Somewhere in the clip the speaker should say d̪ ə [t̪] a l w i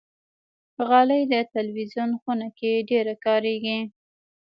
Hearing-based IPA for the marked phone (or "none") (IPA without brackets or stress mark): t̪